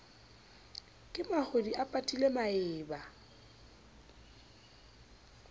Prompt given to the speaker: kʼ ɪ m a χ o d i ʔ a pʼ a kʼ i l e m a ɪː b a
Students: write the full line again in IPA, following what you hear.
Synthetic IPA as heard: kʼ ɪ m a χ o d i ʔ a pʼ a tʼ i l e m a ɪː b a

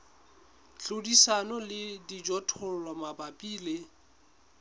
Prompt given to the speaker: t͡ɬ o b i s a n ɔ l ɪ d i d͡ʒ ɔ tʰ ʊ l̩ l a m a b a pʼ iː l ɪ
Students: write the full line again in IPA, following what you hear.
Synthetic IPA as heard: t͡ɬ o d i s a n ɔ l ɪ d i d͡ʒ ɔ tʰ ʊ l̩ l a m a b a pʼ iː l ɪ

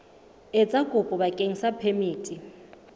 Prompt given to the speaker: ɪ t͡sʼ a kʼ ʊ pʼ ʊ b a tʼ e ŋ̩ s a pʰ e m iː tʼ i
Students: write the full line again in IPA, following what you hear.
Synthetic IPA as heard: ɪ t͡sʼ a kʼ ʊ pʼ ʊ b a kʼ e ŋ̩ s a pʰ e m iː tʼ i

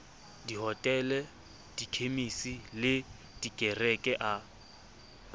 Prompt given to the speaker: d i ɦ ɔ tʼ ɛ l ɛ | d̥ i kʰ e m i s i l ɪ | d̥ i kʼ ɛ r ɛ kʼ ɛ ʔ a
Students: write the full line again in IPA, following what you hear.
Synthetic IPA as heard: d i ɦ ɔ tʼ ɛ l ɛ | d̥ i kʰ e m i s i l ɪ | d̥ i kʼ ɛ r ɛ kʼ ɛ ʔ a

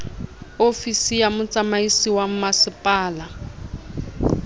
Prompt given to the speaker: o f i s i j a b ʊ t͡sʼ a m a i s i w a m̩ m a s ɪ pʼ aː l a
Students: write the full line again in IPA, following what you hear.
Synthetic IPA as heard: o f i s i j a m ʊ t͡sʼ a m a i s i w a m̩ m a s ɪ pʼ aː l a

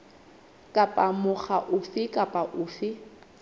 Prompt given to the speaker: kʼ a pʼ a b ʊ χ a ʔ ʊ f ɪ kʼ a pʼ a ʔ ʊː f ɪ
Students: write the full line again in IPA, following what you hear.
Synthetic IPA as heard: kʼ a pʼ a m ʊ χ a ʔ ʊ f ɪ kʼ a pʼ a ʔ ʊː f ɪ

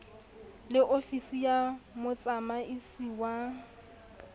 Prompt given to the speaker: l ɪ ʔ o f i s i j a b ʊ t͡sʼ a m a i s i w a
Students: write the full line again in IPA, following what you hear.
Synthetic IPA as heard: l ɪ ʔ o f i s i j a m ʊ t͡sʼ a m a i s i w a

